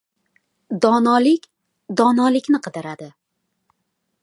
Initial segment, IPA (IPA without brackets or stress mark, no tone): d̪